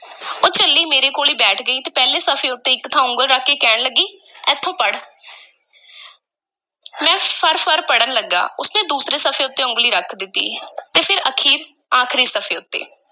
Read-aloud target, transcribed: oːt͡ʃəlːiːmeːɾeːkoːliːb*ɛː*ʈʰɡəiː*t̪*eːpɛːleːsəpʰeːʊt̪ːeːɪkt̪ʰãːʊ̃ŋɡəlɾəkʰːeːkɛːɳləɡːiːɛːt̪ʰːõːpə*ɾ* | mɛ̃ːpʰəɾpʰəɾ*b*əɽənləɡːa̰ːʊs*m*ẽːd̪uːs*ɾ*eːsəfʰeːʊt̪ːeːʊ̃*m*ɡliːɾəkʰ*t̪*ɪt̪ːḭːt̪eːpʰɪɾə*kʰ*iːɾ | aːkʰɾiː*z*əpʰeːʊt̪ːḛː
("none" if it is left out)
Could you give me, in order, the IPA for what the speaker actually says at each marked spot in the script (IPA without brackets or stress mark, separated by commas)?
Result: ɛː, t̪, ɽ, p, n, ɾ, ŋ, d̪, kʰ, s